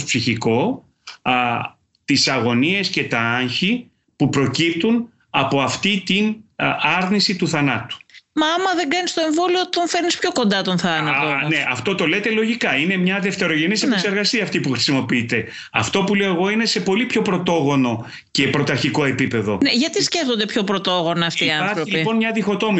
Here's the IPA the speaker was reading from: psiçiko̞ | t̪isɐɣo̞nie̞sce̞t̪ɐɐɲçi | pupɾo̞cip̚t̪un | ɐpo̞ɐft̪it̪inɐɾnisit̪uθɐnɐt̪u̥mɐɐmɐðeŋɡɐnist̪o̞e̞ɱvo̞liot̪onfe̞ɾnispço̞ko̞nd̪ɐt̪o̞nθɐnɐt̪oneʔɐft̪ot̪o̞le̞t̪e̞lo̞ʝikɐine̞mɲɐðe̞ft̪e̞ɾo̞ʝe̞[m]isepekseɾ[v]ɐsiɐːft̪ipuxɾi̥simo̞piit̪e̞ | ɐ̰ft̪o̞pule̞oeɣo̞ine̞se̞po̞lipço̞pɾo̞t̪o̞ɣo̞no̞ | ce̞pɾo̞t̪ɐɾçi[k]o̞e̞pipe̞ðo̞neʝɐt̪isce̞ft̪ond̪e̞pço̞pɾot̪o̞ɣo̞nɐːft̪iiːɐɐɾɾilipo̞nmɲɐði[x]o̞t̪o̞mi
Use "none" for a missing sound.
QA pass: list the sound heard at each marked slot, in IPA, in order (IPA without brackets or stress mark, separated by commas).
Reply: n, ɣ, k, x